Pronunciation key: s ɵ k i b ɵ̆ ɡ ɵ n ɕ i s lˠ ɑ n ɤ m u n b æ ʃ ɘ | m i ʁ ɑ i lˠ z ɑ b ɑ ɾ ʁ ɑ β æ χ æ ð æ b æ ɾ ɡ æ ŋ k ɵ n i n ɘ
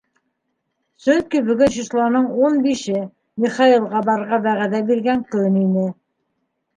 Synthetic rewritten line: s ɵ k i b ɵ̆ ɡ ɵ n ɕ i s lˠ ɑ n ɤ ɴ u n b i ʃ ɘ | m i χ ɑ i lˠ ʁ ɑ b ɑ ɾ ʁ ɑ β æ ʁ æ ð æ b i ɾ ɡ æ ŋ k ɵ n i n ɘ